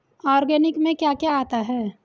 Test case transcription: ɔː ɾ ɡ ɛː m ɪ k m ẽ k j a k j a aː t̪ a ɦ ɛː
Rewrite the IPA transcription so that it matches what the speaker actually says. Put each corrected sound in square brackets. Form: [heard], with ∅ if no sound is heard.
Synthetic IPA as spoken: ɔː ɾ ɡ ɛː [n] ɪ k m ẽ k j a k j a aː t̪ a ɦ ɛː